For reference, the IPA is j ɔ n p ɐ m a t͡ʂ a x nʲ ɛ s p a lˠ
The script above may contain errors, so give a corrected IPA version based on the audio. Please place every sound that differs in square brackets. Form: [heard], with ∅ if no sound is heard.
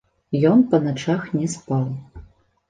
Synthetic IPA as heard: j ɔ n p ɐ [n] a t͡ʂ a x nʲ ɛ s p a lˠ